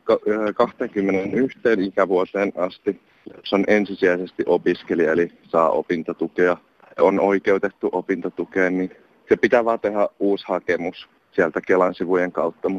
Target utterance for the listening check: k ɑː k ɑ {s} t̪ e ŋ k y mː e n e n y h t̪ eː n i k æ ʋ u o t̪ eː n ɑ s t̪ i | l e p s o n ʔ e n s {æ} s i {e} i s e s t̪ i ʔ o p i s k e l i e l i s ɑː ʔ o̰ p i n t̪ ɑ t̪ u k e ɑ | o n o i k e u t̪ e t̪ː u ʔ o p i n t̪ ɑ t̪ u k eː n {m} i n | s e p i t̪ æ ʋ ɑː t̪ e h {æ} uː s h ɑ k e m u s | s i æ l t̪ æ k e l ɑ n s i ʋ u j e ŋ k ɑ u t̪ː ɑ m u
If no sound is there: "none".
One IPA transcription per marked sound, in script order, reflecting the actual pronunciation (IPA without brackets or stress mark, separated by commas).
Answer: h, i, æ, n, æ